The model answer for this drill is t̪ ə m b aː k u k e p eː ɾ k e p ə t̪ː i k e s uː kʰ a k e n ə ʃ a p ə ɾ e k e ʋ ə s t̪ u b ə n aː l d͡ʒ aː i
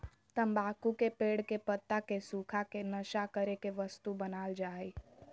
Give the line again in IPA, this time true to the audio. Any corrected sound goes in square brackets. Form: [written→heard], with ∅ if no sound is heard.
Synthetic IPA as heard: t̪ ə m b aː k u k e p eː [ɾ→ɽ] k e p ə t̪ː [i→a] k e s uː kʰ a k e n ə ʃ a [p→k] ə ɾ e k e ʋ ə s t̪ u b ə n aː l d͡ʒ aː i